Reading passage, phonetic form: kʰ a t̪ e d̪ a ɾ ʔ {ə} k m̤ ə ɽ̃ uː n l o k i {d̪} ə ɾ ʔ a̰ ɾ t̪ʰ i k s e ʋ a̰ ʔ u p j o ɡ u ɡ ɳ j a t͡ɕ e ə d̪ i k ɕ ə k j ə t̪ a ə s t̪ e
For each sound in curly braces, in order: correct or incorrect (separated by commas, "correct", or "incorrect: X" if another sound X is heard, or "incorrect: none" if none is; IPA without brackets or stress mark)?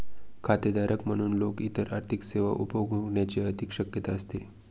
correct, incorrect: t̪